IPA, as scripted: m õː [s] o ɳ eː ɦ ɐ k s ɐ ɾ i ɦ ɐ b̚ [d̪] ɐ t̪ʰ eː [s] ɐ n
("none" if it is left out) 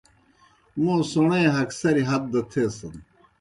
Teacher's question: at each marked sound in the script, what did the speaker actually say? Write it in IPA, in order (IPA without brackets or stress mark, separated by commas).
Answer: s, d̪, s